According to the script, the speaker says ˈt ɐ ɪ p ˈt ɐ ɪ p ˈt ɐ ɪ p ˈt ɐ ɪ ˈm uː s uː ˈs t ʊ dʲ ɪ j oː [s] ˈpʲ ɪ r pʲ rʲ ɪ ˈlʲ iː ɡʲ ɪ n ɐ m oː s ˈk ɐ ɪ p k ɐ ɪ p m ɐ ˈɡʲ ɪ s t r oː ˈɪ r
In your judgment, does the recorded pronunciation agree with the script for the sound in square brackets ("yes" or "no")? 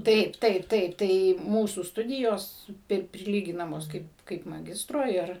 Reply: yes